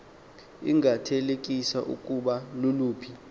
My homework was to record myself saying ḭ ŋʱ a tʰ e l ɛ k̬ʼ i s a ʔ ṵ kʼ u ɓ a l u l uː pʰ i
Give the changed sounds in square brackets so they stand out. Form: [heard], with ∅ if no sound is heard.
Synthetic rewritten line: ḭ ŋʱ a tʰ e l [e] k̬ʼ i s a ʔ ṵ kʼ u ɓ a l u l uː pʰ i